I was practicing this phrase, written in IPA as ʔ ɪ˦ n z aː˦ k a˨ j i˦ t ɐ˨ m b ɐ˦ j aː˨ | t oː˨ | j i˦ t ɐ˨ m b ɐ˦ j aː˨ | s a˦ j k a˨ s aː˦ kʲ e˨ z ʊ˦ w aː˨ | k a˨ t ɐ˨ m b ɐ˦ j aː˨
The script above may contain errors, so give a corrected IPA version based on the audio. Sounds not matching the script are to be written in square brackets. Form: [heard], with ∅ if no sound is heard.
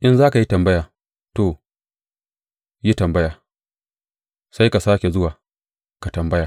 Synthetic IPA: ʔ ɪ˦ n z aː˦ k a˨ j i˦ t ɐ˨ m b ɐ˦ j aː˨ | t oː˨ | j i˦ t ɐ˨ m b ɐ˦ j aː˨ | s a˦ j k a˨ s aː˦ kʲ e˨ z ʊ˦ w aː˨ | k a˨ t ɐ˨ m b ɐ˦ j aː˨